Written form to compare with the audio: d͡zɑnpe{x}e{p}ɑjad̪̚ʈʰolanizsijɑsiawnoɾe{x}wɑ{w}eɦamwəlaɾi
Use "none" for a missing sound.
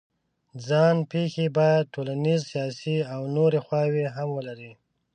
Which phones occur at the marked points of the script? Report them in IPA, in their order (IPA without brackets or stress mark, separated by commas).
x, b, x, w